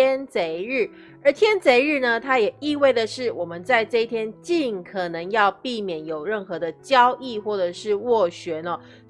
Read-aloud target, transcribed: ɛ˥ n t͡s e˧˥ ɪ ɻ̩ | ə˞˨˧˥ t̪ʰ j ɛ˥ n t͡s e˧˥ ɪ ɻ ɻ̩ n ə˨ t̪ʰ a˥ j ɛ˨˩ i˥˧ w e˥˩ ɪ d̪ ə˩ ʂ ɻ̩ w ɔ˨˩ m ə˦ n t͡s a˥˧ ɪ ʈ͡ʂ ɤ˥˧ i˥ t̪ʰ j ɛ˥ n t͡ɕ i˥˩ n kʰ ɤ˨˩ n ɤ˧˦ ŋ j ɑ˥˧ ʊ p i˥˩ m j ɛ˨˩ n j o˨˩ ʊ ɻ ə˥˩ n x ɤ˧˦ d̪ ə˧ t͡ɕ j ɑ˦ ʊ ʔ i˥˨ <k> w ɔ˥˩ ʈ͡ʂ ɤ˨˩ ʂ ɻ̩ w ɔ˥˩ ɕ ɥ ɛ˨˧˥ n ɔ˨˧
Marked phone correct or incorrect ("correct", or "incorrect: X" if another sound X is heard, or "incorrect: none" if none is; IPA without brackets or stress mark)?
incorrect: x